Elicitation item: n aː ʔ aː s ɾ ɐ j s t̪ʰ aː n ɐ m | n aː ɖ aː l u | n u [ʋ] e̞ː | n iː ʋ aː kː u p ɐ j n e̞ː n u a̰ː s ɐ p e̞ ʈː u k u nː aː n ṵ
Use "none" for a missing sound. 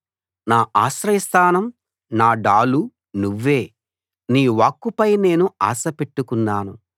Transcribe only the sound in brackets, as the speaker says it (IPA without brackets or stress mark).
ʋː